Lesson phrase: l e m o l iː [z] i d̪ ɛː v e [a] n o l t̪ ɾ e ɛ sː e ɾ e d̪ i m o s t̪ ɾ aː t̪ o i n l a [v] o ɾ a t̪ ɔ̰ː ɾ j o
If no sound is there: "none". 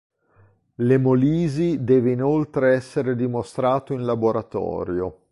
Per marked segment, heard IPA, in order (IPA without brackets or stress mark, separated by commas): z, i, b